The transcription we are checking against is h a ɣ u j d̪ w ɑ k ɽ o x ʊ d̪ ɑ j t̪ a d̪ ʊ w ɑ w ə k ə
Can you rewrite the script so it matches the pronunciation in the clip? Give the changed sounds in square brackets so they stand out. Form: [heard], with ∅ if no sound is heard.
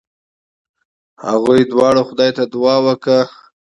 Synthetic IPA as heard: h a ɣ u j d̪ w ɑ [∅] ɽ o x ʊ d̪ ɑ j t̪ a d̪ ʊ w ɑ w ə k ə